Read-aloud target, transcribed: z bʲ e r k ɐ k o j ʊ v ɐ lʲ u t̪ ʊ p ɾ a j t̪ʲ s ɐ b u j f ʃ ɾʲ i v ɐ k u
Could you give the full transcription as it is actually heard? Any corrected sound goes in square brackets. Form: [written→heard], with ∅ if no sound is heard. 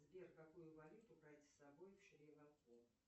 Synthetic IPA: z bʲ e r k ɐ k [o→u] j ʊ v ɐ lʲ u t̪ ʊ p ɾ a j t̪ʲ s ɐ b [u→o] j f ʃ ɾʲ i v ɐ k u